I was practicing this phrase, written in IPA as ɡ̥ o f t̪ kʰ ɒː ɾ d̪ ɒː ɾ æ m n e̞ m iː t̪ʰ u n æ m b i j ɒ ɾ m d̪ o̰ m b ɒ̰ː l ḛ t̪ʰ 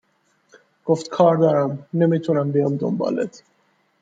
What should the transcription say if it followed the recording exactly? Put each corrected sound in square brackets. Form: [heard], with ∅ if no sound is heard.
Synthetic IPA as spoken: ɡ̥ o f t̪ kʰ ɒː ɾ d̪ ɒː ɾ æ m n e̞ m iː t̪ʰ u n æ m b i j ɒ [∅] m d̪ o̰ m b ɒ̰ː l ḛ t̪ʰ